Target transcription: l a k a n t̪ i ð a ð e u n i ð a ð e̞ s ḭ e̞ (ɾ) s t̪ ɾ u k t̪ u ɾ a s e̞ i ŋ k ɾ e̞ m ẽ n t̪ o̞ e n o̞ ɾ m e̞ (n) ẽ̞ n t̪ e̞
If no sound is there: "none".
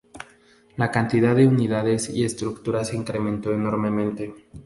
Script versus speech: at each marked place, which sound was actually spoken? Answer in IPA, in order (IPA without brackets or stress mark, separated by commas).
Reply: none, m